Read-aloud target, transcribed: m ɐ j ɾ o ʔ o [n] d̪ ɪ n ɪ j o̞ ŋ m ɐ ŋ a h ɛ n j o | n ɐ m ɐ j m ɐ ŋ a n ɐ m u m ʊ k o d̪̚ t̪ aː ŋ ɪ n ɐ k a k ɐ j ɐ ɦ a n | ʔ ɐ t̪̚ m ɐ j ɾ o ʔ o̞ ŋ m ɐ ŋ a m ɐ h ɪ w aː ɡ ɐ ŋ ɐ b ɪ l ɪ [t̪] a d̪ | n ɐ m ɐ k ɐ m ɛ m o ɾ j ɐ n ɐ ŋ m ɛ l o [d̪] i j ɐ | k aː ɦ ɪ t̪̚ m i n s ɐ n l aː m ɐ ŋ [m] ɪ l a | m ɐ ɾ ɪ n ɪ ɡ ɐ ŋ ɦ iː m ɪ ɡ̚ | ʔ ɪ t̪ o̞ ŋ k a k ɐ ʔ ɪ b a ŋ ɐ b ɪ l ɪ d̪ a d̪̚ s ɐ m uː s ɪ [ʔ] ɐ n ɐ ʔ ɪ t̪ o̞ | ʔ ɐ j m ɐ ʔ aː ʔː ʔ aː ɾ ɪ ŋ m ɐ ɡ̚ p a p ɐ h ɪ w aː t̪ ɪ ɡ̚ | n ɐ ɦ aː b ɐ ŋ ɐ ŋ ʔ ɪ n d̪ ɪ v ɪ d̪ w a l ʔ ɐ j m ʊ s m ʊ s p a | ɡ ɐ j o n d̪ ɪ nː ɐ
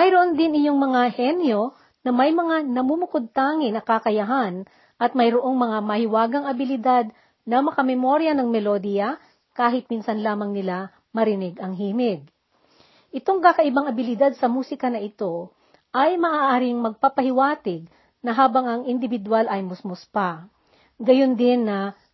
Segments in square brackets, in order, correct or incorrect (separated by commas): correct, incorrect, correct, incorrect, incorrect